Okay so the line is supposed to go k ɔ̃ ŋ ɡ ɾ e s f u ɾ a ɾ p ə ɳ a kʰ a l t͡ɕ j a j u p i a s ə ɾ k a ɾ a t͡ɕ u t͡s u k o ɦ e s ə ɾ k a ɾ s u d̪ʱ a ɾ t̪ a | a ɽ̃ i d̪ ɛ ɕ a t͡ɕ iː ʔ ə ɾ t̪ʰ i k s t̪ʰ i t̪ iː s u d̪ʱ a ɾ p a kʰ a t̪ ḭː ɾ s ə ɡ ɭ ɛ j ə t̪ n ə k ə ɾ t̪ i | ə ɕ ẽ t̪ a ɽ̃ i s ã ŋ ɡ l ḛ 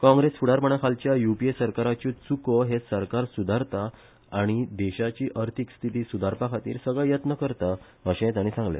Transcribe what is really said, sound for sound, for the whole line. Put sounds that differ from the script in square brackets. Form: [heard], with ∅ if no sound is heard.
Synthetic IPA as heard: k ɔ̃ ŋ ɡ ɾ e s f u [ɽ] a ɾ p ə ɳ a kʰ a l t͡ɕ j a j u p i [e] s ə ɾ k a ɾ a t͡ɕ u t͡s u k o ɦ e s ə ɾ k a ɾ s u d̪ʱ a ɾ t̪ a | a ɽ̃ i d̪ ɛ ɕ a t͡ɕ iː ʔ ə ɾ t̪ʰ i k s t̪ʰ i t̪ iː s u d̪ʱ a ɾ p a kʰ a t̪ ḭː ɾ s ə ɡ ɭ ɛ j ə t̪ n ə k ə ɾ t̪ [a] | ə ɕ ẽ t̪ a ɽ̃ i s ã ŋ ɡ l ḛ